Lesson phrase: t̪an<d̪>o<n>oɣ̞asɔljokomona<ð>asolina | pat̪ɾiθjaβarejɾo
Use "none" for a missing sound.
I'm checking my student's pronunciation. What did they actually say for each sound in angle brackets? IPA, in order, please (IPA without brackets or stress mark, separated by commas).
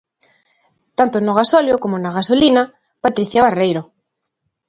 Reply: t̪, n, ɣ